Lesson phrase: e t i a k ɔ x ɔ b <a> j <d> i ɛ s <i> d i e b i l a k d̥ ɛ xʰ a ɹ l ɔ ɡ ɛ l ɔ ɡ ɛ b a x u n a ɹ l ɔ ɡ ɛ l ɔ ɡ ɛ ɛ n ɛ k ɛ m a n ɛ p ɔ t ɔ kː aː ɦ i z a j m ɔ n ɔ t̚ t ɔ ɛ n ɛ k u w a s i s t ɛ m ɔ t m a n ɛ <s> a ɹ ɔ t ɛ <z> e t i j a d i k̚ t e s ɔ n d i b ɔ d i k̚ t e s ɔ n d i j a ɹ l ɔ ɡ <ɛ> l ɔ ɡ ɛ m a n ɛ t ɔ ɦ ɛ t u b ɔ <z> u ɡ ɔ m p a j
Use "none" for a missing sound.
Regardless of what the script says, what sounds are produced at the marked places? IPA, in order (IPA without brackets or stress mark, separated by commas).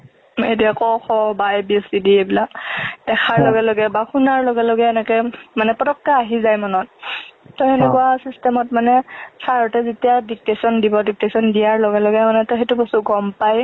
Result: a, b, i, s, z, ɛ, s